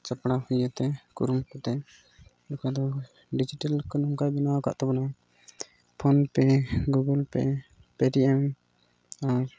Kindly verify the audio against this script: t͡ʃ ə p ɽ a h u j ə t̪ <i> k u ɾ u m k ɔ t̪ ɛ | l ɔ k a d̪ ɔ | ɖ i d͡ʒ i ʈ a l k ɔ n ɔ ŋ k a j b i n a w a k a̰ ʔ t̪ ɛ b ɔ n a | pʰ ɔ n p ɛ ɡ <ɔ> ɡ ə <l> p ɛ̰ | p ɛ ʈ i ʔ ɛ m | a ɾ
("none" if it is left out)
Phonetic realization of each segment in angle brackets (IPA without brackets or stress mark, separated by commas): ɛ, u, l